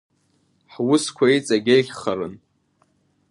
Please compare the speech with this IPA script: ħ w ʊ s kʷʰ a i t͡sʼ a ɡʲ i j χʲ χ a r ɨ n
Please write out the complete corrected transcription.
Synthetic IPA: ħ w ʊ s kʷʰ a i t͡sʼ a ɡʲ e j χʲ χ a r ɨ n